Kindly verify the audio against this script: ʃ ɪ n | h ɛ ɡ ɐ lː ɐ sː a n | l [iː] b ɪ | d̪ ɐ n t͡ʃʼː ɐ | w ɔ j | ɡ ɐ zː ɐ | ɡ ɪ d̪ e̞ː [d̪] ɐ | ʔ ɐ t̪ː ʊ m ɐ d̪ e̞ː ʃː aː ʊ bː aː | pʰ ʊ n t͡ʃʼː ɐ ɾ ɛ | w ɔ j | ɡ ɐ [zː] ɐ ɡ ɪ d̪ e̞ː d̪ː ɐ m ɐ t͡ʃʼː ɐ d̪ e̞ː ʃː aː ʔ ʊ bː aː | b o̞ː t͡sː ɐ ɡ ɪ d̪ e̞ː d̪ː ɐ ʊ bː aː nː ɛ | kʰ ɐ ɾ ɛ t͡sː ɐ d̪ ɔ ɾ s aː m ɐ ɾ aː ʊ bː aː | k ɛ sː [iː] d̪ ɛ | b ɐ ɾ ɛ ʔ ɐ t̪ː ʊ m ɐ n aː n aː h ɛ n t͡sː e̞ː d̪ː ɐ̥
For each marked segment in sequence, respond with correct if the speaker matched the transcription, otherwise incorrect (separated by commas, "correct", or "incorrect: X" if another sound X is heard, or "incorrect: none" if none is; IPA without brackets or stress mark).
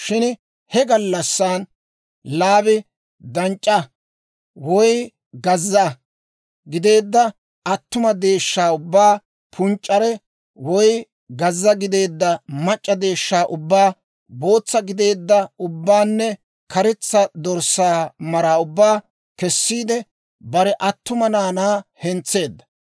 incorrect: aː, incorrect: d̪ː, correct, correct